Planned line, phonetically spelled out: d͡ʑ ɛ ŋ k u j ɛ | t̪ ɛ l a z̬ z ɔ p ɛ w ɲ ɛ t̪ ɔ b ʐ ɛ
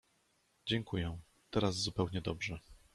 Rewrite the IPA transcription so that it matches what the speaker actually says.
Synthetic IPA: d͡ʑ ɛ ŋ k u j ɛ | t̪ ɛ ɾ a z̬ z u p ɛ w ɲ ɛ d̪ ɔ b ʐ ɛ

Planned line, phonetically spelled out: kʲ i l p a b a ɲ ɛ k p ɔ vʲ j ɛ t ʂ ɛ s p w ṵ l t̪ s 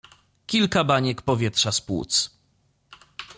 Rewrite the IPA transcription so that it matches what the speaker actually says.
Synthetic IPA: kʲ i l k a b a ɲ ɛ k p ɔ vʲ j ɛ t ʂ a s p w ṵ t̪ s

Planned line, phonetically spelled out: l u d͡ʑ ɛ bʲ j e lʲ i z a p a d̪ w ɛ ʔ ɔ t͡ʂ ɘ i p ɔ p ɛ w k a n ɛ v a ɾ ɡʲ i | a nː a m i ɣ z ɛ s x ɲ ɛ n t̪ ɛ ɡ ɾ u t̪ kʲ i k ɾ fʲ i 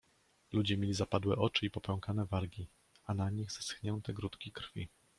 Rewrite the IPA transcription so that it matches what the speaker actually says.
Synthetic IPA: l u d͡ʑ ɛ mʲ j e lʲ i z a p a d̪ w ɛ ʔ ɔ t͡ʂ ɘ i p ɔ p ɛ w k a n ɛ v a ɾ ɡʲ i | a n a ɲ i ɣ z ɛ s x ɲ ɛ n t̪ ɛ ɡ ɾ u t̪ kʲ i k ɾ fʲ i

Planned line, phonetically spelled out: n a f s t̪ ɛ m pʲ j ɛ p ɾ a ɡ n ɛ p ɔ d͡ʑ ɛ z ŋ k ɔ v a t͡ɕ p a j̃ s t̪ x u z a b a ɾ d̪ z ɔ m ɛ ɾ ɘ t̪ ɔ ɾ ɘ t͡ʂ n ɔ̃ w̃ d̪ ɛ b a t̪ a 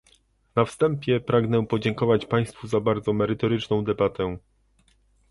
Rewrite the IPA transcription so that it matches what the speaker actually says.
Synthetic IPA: n a f s t̪ ɛ m pʲ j ɛ p ɾ a ɡ n ɛ p ɔ d͡ʑ ɛ ŋ k ɔ v a t͡ɕ p a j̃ s t̪ f u z a b a ɾ d̪ z ɔ m ɛ ɾ ɘ t̪ ɔ ɾ ɘ t͡ʂ n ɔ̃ w̃ d̪ ɛ b a t̪ ɛ

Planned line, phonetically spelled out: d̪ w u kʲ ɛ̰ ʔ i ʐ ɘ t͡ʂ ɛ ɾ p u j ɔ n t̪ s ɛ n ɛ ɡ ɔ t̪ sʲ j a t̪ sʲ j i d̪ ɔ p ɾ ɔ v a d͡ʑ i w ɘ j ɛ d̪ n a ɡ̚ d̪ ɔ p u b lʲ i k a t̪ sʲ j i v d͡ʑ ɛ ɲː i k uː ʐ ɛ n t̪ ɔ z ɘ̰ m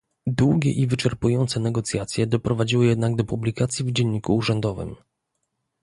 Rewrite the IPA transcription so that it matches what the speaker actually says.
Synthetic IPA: d̪ w u ɡʲ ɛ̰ ʔ i v ɘ t͡ʂ ɛ ɾ p u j ɔ n t̪ s ɛ n ɛ ɡ ɔ t̪ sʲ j a t̪ sʲ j ɛ d̪ ɔ p ɾ ɔ v a d͡ʑ i w ɘ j ɛ d̪ n a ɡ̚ d̪ ɔ p u b lʲ i k a t̪ sʲ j i v d͡ʑ ɛ ɲː i k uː ʐ ɛ n d̪ ɔ v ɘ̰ m

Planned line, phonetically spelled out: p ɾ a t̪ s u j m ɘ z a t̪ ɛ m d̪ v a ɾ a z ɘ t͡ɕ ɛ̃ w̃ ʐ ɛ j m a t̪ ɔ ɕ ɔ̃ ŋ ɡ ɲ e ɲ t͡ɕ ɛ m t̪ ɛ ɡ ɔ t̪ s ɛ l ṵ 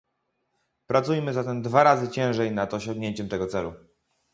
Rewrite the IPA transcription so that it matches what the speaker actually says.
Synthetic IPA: p ɾ a t̪ s u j m ɘ z a t̪ ɛ m d̪ v a ɾ a z ɘ t͡ɕ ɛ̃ w̃ ʐ ɛ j n a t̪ ɔ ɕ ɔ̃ ŋ ɡ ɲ e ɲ t͡ɕ ɛ m t̪ ɛ ɡ ɔ t̪ s ɛ l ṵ

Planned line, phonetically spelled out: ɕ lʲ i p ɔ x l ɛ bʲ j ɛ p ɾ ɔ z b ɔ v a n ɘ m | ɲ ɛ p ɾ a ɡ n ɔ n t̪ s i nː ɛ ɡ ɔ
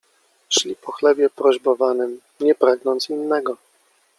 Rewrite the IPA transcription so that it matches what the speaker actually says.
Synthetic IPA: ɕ lʲ i p ɔ x l ɛ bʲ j ɛ p ɾ ɔ ʑ b ɔ v a n ɘ m | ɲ ɛ p ɾ a ɡ n ɔ n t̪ s i nː ɛ ɡ ɔ

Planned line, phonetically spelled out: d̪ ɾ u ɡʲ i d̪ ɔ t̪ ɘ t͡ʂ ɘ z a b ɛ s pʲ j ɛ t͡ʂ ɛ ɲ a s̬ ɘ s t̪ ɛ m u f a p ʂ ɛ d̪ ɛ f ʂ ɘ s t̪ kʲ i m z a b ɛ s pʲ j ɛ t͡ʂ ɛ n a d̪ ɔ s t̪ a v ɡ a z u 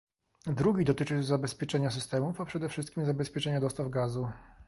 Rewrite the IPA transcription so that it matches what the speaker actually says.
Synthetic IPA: d̪ ɾ u ɡʲ i d̪ ɔ t̪ ɘ t͡ʂ ɘ z a b ɛ s pʲ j ɛ t͡ʂ ɛ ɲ a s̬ ɘ s t̪ ɛ m u f a p ʂ ɛ d̪ ɛ f ʂ ɘ s t̪ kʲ i m z a b ɛ s pʲ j ɛ t͡ʂ ɛ ɲ a d̪ ɔ s t̪ a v ɡ a z u

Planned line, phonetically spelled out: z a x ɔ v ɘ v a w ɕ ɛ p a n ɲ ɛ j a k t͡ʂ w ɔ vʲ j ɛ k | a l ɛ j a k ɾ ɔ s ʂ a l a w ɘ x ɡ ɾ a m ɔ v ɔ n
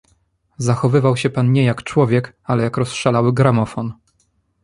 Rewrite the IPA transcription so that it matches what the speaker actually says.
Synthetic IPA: z a x ɔ v ɘ v a w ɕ ɛ p a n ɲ ɛ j a k t͡ʂ w ɔ vʲ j ɛ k | a l ɛ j a k ɾ ɔ s ʂ a l a w ɘ ɡ ɾ a m ɔ f ɔ n

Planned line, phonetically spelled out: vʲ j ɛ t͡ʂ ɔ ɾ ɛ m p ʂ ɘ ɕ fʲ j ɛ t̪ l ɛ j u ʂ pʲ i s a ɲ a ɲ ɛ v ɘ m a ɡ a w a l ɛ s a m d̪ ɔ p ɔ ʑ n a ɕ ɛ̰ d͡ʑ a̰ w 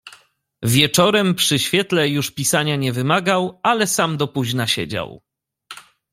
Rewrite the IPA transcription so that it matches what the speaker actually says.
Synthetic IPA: vʲ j ɛ t͡ʂ ɔ ɾ ɛ m p ʂ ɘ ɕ fʲ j ɛ t̪ l ɛ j u ʂ pʲ i s a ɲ a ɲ ɛ v ɘ m a ɡ a w a l ɛ s a m d̪ ɔ p u ʑ n a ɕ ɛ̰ d͡ʑ a̰ w

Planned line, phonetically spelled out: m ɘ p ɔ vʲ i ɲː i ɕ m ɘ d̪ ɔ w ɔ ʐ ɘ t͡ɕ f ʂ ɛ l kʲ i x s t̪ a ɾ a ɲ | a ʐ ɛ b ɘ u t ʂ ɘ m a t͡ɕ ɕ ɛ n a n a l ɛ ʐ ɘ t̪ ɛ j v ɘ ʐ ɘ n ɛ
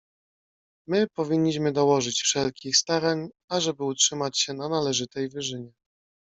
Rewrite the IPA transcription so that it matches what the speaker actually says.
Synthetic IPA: m ɘ p ɔ vʲ i ɲː i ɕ m ɘ d̪ ɔ w ɔ ʐ ɘ t͡ɕ f ʂ ɛ l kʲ i x s t̪ a ɾ a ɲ | a ʐ ɛ b ɘ u t ʂ ɘ m a t͡ɕ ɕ ɛ n a n a l ɛ ʐ ɘ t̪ ɛ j v ɘ ʐ ɘ ɲ ɛ

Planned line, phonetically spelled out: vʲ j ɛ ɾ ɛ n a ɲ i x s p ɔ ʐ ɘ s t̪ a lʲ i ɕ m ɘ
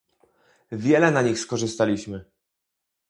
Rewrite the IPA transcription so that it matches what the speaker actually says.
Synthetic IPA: vʲ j ɛ l ɛ n a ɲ i x s k ɔ ʐ ɘ s t̪ a lʲ i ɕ m ɘ

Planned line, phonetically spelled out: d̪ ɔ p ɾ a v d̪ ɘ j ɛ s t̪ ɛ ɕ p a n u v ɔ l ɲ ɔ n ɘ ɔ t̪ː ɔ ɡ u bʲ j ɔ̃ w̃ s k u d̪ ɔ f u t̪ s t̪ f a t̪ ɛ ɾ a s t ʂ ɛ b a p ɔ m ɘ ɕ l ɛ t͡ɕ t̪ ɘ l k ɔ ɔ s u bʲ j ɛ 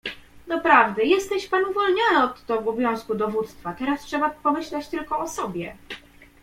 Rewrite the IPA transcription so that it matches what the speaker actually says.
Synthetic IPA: d̪ ɔ p ɾ a v d̪ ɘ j ɛ s t̪ ɛ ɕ p a n u v ɔ l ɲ ɔ n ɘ ɔ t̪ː ɔ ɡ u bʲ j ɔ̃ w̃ s k u d̪ ɔ v u t̪ s t̪ f a t̪ ɛ ɾ a s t ʂ ɛ b a p ɔ m ɘ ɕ l ɛ t͡ɕ t̪ ɘ l k ɔ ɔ s ɔ bʲ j ɛ

